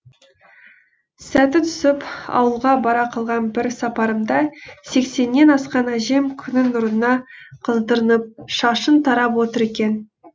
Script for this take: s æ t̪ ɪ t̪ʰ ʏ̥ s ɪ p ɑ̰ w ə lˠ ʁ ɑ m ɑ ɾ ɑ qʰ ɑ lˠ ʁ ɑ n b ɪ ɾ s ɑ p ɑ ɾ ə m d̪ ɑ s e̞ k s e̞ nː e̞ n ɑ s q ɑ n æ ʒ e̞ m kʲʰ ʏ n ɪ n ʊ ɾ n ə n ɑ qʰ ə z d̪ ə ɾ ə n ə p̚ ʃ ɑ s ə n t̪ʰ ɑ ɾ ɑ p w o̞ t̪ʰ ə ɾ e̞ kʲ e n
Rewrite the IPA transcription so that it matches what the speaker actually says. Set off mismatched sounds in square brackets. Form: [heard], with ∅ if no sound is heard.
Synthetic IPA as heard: s æ t̪ ɪ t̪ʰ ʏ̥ s ɪ p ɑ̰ w ə lˠ ʁ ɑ [b] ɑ ɾ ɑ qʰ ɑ lˠ ʁ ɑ n b ɪ ɾ s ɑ p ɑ ɾ ə m d̪ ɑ s e̞ k s e̞ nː e̞ n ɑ s q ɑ n æ ʒ e̞ m kʲʰ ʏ n ɪ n ʊ ɾ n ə n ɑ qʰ ə z d̪ ə ɾ ə n ə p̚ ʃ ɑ [ʃ] ə n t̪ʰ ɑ ɾ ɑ p w o̞ [t̪] ə ɾ e̞ kʲ e n